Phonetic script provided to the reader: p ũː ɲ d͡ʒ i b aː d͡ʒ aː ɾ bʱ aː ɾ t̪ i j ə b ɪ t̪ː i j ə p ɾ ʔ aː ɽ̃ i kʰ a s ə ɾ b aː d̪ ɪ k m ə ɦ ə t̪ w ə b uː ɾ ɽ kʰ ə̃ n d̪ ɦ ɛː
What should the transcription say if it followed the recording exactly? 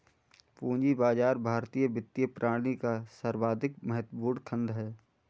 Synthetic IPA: p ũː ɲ d͡ʒ i b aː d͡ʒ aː ɾ bʱ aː ɾ t̪ i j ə b ɪ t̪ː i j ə p ɾ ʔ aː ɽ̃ i k a s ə ɾ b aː d̪ ɪ k m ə ɦ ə t̪ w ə b uː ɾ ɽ kʰ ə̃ n d̪ ɦ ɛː